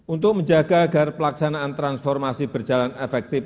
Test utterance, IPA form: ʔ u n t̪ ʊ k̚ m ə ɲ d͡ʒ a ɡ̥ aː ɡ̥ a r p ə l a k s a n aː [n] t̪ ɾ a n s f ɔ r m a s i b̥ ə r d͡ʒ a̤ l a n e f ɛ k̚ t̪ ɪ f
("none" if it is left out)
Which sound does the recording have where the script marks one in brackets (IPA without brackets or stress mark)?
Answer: n